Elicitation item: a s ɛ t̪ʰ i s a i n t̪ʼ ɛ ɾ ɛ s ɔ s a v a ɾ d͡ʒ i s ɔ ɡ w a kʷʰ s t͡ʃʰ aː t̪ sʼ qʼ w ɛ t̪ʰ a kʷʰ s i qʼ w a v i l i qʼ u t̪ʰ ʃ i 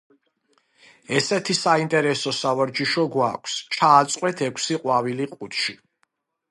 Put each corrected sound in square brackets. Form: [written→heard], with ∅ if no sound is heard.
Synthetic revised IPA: [a→ɛ] s ɛ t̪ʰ i s a i n t̪ʼ ɛ ɾ ɛ s ɔ s a v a ɾ d͡ʒ i [s→ʃ] ɔ ɡ w a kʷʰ s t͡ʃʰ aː t̪ sʼ qʼ w ɛ t̪ʰ [a→ɛ] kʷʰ s i qʼ w a v i l i qʼ u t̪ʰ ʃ i